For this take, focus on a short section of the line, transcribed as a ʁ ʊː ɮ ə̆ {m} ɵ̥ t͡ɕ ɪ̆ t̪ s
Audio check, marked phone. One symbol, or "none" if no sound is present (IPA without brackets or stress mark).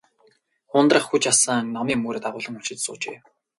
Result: ŋ